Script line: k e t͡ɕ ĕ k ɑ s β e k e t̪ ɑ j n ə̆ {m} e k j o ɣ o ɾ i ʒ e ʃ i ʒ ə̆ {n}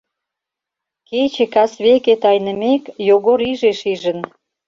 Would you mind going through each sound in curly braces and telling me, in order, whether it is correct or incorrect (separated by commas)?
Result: correct, correct